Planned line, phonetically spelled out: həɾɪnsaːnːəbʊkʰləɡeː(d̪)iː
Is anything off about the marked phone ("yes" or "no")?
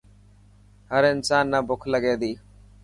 no